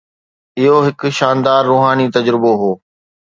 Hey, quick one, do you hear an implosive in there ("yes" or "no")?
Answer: no